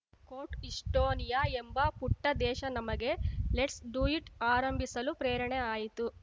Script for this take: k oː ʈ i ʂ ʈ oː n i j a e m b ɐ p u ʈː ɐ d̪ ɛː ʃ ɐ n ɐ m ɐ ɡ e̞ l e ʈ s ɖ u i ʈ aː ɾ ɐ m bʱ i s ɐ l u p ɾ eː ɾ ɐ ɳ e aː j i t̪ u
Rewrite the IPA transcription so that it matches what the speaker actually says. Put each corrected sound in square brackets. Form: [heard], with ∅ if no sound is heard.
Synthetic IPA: k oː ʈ i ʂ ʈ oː n i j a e m b ɐ p u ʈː ɐ d̪ ɛː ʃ ɐ n ɐ m ɐ ɡ e̞ l e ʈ s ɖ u i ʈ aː ɾ ɐ m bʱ i s ɐ l u p ɾ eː ɾ ɐ ɳ e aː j i t̪ u